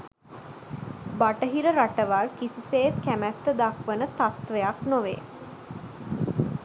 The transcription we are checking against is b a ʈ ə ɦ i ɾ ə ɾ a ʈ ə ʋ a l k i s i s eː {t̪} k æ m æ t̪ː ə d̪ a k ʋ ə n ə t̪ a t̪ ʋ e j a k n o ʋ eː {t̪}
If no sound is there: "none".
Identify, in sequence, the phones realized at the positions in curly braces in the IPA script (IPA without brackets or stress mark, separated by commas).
t̪, none